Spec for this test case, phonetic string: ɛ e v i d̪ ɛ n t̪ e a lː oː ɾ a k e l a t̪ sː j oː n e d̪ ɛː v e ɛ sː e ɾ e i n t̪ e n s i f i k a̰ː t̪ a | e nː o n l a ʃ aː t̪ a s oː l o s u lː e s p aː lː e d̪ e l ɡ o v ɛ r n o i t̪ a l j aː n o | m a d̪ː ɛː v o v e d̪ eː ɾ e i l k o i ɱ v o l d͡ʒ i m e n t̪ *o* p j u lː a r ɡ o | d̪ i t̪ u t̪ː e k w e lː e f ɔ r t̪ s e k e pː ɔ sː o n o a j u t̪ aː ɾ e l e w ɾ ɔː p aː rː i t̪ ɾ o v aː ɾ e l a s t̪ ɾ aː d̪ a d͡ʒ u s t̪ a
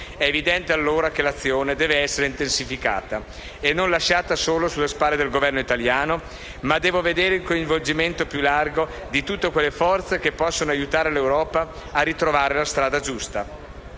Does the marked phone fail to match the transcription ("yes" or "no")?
no